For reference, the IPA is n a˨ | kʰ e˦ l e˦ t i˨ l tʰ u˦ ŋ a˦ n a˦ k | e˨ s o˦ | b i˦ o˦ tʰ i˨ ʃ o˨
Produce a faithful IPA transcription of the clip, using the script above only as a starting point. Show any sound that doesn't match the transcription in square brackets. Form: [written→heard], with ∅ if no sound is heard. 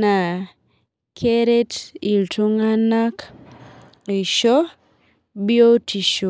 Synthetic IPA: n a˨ | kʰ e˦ [l→ɾ] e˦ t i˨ l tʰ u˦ ŋ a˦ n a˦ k | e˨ [s→ʃ] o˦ | b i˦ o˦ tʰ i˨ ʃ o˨